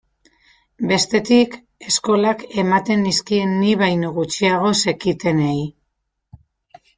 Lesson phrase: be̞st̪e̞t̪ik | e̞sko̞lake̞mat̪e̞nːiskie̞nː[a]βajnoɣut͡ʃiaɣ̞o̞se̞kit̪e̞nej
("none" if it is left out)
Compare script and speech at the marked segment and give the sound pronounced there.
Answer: i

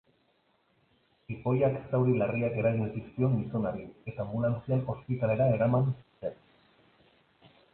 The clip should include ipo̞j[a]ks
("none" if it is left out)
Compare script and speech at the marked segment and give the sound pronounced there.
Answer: a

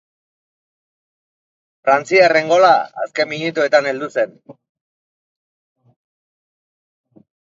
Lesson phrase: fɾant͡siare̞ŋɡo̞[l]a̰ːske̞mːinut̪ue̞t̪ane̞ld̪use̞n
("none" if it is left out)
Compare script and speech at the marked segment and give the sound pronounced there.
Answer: l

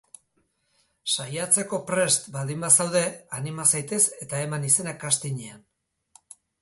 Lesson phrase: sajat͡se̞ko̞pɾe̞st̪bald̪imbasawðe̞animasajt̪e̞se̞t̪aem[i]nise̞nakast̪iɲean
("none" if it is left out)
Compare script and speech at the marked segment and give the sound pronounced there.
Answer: a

